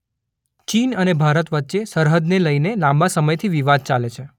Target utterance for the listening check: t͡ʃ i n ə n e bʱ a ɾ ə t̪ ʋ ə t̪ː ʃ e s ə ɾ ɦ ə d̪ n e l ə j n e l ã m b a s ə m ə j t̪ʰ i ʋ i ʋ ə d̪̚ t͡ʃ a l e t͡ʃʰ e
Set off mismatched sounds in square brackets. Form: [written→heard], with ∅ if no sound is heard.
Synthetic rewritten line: t͡ʃ i n ə n e bʱ a ɾ ə t̪ ʋ ə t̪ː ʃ e s ə ɾ ɦ ə d̪ n e l ə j n e l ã m b a s ə m ə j t̪ʰ i ʋ i ʋ [ə→a] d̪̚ t͡ʃ a l e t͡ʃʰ e